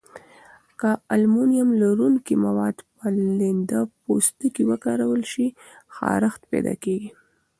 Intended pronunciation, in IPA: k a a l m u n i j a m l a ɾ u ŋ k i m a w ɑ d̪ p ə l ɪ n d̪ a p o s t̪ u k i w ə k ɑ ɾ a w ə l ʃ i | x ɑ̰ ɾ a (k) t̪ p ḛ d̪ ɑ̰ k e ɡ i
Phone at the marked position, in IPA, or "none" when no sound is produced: x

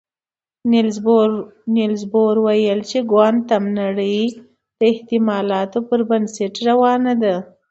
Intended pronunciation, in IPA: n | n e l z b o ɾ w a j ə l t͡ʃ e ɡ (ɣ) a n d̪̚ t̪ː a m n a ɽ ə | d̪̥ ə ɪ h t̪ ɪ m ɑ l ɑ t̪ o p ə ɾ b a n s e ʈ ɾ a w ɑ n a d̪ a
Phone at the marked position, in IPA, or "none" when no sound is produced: w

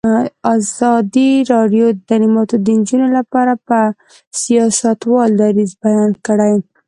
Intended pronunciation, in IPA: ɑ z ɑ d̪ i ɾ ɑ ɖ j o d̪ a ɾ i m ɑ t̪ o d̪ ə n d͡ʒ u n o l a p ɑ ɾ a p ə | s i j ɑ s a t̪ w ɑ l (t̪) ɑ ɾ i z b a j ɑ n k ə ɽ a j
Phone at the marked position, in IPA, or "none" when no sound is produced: d̪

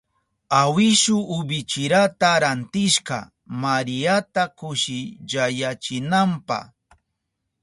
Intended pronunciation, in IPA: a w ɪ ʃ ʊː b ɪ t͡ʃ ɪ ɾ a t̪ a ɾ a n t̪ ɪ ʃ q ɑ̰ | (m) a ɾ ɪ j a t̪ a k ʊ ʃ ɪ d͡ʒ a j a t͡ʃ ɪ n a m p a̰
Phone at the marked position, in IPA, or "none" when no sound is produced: m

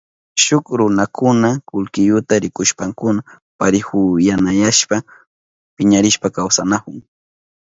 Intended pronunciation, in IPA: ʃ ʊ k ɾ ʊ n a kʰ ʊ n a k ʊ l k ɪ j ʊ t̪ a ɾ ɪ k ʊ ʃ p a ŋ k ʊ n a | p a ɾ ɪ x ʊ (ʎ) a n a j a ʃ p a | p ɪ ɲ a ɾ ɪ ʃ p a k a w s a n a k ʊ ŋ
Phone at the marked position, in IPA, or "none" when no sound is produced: j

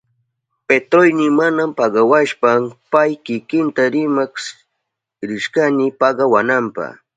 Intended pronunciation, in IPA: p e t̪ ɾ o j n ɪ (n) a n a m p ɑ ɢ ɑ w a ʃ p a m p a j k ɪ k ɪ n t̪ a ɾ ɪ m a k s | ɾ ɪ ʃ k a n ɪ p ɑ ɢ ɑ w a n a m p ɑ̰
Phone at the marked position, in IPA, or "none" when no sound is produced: m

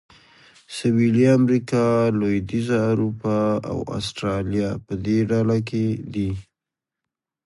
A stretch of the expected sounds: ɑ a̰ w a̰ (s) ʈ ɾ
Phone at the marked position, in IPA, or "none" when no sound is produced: s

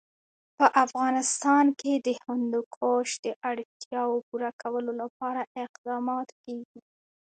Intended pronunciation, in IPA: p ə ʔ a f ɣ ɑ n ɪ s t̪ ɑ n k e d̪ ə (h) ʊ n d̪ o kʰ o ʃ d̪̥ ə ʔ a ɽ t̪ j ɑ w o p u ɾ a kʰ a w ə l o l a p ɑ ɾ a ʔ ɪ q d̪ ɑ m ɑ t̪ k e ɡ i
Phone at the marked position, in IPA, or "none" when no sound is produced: h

